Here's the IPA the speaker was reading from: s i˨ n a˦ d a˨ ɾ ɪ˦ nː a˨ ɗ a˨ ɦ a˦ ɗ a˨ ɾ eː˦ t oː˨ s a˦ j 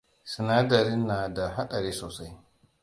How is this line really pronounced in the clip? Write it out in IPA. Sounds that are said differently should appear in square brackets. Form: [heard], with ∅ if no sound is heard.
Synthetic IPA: s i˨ n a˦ d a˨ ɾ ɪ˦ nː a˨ [d] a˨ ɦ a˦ ɗ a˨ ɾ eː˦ [s] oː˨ s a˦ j

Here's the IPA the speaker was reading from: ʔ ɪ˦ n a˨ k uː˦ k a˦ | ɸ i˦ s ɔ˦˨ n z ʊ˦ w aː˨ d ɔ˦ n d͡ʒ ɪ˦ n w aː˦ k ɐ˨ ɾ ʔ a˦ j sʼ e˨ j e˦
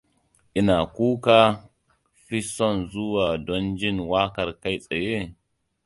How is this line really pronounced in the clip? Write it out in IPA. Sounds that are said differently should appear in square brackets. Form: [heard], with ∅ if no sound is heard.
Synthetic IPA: ʔ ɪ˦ n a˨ k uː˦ k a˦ | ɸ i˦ s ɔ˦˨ n z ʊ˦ w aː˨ d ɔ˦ n d͡ʒ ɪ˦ n w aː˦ k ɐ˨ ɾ [k] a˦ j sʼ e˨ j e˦

